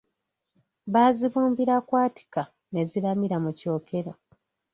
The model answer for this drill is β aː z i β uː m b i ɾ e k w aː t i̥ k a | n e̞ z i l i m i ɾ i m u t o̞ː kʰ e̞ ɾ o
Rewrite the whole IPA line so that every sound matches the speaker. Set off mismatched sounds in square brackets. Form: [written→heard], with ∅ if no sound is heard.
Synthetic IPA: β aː z i β uː m b i ɾ [e→a] k w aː t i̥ k a | n e̞ z i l [i→a] m i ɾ [i→a] m u [t→c] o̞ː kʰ e̞ ɾ o